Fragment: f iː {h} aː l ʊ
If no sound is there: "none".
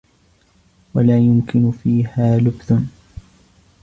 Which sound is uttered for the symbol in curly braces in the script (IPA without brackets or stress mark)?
h